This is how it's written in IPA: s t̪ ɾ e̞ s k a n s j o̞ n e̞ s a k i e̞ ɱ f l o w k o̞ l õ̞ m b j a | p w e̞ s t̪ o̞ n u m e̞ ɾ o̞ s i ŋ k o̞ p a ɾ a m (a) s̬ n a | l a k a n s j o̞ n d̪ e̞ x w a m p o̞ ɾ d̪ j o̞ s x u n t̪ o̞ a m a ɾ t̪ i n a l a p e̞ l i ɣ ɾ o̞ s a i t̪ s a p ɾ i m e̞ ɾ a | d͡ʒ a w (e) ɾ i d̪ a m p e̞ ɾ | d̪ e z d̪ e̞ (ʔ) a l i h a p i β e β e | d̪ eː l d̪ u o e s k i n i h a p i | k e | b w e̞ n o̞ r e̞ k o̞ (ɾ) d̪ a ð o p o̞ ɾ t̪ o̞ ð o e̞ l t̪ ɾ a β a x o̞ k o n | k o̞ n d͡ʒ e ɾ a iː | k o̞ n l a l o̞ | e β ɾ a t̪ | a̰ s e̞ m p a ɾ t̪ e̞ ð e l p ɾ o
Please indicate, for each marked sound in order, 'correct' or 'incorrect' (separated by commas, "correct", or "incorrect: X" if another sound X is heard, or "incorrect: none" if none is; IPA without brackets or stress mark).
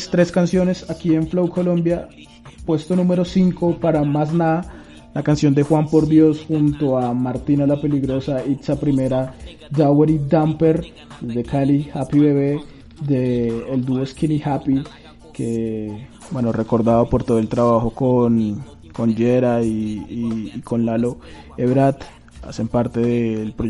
correct, correct, incorrect: k, correct